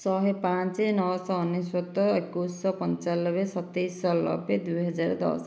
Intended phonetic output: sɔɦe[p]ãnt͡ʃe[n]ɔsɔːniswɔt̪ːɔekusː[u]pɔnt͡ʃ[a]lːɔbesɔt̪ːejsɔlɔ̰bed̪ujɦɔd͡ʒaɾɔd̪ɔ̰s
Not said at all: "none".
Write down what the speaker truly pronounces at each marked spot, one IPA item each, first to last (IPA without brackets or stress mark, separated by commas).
p, n, ɔ, a